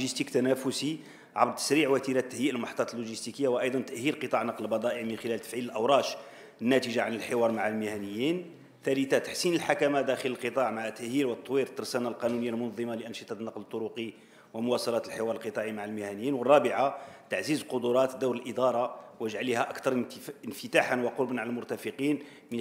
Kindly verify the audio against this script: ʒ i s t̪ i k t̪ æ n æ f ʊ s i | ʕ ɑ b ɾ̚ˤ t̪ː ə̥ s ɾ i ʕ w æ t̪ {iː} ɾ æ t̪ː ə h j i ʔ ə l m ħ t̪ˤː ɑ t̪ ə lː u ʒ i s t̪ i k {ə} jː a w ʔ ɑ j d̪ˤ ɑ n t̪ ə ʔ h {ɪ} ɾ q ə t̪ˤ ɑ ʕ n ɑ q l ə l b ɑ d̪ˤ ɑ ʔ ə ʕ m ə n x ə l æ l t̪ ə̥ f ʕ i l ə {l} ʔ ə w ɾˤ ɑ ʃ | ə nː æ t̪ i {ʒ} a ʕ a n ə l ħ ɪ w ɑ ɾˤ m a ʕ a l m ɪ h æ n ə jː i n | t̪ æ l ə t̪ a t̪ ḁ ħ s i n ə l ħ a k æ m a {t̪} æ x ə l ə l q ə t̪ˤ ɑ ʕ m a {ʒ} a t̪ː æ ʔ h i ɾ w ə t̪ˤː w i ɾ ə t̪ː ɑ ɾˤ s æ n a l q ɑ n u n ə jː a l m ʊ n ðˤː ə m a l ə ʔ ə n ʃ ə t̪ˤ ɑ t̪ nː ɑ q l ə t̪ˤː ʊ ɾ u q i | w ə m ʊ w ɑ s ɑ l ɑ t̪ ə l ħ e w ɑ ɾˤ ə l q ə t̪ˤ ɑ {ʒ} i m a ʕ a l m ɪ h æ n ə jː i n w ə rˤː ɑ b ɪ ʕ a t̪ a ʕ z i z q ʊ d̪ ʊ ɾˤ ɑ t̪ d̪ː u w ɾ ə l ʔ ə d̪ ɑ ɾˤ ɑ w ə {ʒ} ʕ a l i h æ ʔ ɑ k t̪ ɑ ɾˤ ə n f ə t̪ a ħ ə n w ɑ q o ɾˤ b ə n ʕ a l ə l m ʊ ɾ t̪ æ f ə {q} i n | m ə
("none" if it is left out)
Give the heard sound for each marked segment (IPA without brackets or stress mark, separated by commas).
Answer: i, ə, i, l, ʒ, d̪, ʕ, ʕ, ʒ, q